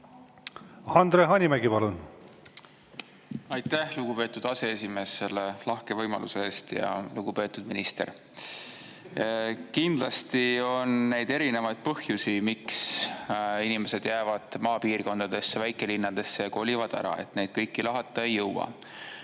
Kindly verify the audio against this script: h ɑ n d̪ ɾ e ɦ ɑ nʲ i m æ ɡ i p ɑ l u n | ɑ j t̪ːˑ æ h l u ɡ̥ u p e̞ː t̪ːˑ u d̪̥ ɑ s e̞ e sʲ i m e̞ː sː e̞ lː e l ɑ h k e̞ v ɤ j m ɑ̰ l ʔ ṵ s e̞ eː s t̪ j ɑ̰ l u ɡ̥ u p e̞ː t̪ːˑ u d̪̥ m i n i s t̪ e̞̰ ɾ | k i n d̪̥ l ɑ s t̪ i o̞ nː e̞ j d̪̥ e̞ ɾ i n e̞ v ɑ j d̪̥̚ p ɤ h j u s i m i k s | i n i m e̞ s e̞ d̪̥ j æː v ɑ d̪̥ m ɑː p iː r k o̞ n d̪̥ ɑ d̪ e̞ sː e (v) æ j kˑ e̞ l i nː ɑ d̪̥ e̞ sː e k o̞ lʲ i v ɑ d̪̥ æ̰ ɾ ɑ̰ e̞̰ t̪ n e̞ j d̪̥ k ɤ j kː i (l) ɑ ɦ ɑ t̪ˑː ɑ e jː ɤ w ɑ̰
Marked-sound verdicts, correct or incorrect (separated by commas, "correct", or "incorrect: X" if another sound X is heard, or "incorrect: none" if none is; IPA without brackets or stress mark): correct, correct